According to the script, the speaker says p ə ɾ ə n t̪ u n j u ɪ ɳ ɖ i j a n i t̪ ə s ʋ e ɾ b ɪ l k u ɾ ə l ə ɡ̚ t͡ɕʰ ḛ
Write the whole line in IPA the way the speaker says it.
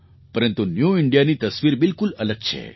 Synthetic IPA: p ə ɾ ə n t̪ u n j u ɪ ɳ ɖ i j a n i t̪ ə s ʋ i ɾ b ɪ l k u l ə l ə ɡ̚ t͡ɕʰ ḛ